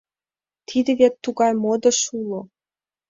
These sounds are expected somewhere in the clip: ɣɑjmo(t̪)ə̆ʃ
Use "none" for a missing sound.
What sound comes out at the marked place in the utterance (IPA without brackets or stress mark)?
d̪